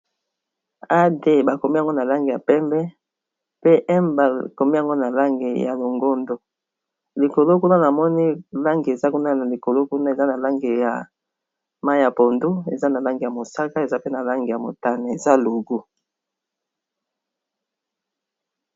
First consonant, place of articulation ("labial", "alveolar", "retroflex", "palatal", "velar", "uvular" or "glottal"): alveolar